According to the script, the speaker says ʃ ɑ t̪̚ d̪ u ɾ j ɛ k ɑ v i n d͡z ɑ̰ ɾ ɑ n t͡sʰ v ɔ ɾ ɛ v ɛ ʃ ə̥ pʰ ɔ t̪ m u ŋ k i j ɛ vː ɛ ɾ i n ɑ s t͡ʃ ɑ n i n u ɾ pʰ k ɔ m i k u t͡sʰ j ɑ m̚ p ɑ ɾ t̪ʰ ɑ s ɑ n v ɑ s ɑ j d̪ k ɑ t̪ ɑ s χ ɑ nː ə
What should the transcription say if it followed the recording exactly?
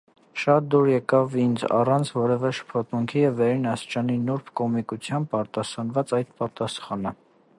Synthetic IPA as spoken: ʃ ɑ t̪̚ d̪ u ɾ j ɛ k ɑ v i n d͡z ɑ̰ r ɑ n t͡sʰ v ɔ ɾ ɛ v ɛ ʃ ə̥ pʰ ɔ t̪ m u ŋ kʰ i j ɛ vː ɛ ɾ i n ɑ s t͡ʃ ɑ n i n u ɾ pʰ k ɔ m i k u t͡sʰ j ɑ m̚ p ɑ ɾ t̪ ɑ s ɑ n v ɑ t͡s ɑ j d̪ p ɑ t̪ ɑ s χ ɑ n ə